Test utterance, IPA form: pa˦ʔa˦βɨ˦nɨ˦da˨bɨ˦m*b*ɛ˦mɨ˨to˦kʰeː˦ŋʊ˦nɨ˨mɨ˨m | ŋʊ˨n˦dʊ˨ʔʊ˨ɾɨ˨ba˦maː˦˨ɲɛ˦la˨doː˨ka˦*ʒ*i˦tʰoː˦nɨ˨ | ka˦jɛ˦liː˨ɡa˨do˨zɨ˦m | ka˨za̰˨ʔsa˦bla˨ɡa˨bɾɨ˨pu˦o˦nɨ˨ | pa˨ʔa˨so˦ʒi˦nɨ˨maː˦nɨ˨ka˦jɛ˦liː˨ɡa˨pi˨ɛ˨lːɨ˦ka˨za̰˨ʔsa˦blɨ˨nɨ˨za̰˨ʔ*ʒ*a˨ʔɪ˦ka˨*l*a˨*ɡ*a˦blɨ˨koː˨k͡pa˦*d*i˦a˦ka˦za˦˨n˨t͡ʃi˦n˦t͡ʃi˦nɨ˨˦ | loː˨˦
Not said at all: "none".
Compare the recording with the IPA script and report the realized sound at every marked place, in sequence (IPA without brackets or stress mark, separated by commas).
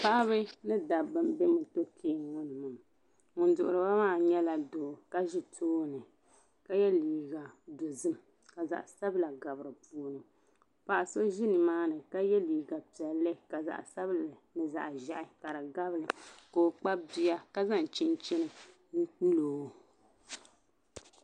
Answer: b, ʒ, ʒ, ɾ, ɡ, b